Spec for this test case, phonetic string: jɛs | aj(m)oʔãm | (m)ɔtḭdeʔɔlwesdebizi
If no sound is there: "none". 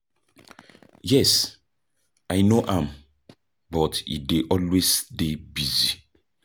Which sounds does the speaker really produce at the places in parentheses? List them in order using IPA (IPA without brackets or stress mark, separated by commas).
n, b